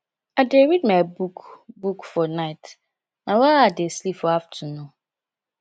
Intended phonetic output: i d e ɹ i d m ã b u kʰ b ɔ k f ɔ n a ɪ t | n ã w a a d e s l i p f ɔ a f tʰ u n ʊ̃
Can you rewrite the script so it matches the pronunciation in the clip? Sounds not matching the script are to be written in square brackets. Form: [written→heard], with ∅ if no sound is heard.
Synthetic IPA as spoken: [i→a] d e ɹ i d m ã b u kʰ b [ɔ→u] k f ɔ n a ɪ t | n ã w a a d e s l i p f ɔ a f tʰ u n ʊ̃

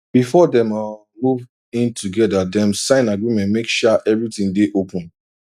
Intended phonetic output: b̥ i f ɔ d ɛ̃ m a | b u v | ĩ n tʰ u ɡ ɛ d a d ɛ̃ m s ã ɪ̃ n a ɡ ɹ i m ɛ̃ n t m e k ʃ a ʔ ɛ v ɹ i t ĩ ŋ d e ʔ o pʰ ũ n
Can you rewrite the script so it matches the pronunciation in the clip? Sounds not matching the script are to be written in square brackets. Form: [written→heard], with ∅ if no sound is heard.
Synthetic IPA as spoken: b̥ i f ɔ d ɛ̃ m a | [b→m] u v | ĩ n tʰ u ɡ ɛ d a d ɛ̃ m s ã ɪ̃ n a ɡ ɹ i m ɛ̃ n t m e k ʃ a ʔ ɛ v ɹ i t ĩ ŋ d e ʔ o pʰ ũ n

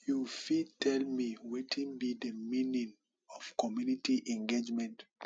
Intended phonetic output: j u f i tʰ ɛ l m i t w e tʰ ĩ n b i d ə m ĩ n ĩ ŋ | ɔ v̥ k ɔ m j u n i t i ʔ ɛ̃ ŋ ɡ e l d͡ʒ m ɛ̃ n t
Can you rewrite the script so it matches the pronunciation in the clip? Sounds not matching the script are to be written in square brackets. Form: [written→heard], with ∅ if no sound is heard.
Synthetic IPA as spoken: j u f i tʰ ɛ l m i [t→∅] w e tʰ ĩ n b i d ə m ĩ n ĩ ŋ | ɔ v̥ k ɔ m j u n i t i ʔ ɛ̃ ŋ ɡ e [l→∅] d͡ʒ m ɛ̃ n t

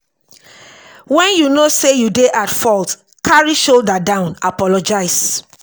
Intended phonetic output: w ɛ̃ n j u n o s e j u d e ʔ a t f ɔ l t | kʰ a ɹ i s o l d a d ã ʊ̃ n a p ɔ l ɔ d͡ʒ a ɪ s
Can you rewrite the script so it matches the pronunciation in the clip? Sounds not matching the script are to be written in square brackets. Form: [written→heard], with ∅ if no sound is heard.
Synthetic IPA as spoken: w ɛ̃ n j u n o s e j u d e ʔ a t f ɔ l t | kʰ a ɹ i [s→ʃ] o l d a d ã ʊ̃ n a p ɔ l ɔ d͡ʒ a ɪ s

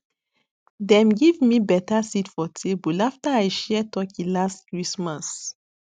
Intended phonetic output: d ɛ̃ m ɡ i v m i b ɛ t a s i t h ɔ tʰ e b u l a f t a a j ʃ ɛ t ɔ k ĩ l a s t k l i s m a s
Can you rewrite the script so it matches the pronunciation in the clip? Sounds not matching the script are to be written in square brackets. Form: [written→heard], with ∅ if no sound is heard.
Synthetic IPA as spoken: d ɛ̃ m ɡ i v m i b ɛ t a s i t [h→f] ɔ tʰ e b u l a f t a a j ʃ ɛ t ɔ k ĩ l a s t k [l→ɹ] i s m a s

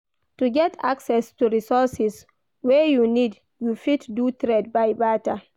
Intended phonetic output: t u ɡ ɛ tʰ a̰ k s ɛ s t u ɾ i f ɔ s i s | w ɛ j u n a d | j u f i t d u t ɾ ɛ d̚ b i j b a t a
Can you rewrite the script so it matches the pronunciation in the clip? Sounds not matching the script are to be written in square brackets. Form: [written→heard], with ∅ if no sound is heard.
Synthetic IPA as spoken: t u ɡ ɛ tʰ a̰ k s ɛ s t u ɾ i [f→s] ɔ s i s | w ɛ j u n [a→i] d | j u f i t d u t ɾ ɛ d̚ b [i→a] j b a t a

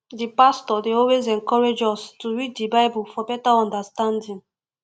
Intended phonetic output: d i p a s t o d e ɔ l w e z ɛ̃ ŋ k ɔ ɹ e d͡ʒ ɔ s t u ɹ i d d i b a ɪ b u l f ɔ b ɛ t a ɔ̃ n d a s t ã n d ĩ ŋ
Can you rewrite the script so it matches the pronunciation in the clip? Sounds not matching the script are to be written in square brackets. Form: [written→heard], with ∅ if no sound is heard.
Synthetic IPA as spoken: d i p a s t [o→ɔ] d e ɔ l w e z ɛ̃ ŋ k ɔ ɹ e d͡ʒ ɔ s t u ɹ i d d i b a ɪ b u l f ɔ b ɛ t a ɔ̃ n d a s t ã n d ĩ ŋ

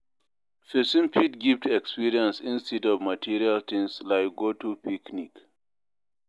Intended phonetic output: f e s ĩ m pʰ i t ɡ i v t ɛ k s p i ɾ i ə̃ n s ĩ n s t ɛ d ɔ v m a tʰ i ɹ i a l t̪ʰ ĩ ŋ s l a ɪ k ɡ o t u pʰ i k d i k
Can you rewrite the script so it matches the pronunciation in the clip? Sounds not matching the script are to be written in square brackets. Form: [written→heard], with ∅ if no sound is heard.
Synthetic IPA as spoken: f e s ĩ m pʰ i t ɡ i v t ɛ k s p i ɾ i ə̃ n s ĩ n s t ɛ d ɔ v m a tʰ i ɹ i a l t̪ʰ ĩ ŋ s l a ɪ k ɡ o t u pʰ i k [d→n] i k

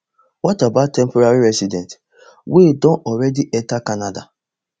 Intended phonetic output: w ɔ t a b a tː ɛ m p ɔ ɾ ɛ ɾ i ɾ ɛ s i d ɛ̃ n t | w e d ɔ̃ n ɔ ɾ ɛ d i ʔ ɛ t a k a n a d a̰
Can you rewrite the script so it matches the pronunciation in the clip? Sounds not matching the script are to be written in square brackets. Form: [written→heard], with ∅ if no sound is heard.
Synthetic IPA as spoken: w ɔ t a b a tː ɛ m p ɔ ɾ [ɛ→a] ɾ i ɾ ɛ s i d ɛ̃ n t | w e d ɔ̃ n ɔ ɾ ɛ d i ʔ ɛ t a k a n a d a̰

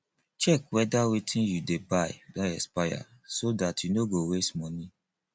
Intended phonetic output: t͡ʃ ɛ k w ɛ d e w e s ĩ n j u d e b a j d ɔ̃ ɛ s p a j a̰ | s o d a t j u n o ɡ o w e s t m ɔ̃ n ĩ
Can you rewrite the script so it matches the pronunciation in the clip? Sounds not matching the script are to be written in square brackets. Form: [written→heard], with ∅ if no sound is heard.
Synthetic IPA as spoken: t͡ʃ ɛ k w ɛ d [e→a] w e [s→t] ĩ n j u d e b a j d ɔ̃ ɛ s p a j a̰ | s o d a t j u n o ɡ o w e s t m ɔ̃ n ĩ

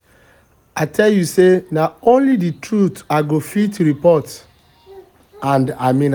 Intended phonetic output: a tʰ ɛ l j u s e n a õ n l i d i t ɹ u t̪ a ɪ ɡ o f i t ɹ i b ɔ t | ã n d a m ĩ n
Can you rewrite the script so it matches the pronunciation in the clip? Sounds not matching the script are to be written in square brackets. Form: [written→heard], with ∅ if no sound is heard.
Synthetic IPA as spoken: a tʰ ɛ l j u s e n a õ n l i d i t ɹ u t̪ a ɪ ɡ o f i t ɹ i [b→p] ɔ t | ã n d a m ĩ n

